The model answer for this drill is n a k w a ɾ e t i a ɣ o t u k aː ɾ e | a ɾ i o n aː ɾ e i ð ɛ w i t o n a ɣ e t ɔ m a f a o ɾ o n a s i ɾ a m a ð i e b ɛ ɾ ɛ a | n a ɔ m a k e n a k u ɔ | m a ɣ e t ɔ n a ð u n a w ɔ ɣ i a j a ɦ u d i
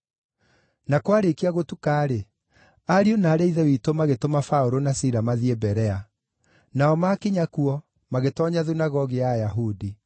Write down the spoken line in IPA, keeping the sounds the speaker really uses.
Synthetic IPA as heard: n a k w a ɾ e k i a ɣ o t u k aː ɾ e | a ɾ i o n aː ɾ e i ð ɛ w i t o m a ɣ e t o m a f a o ɾ o n a s i ɾ a m a ð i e b ɛ ɾ ɛ a | n a ɔ m a k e ɲ a k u ɔ | m a ɣ e t ɔ ɲ a ð u n a ɣ ɔ ɣ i a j a ɦ u d i